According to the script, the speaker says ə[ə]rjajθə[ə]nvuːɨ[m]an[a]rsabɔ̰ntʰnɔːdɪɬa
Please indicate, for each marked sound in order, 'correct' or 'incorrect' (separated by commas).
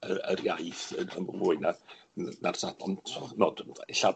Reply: correct, correct, incorrect, correct